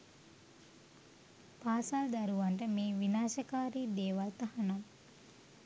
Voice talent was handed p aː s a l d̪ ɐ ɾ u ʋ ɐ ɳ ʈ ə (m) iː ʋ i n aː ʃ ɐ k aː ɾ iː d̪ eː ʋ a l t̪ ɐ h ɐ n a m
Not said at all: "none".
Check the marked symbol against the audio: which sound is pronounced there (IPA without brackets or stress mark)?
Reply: m